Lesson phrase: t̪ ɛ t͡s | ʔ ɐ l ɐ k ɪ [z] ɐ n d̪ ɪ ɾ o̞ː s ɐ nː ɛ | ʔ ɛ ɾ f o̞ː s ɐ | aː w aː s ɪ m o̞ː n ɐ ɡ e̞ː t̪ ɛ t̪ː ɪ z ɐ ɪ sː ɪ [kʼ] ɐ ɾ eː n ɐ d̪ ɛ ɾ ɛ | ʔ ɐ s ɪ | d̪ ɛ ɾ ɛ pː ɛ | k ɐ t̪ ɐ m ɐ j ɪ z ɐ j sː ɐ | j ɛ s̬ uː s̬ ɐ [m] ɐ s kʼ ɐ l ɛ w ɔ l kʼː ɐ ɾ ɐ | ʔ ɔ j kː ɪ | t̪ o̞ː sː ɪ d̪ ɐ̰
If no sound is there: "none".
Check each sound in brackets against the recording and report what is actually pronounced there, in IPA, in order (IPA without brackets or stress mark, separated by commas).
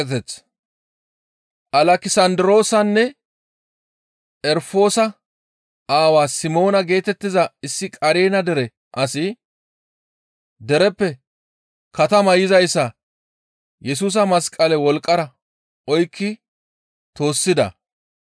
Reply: s, kʼ, m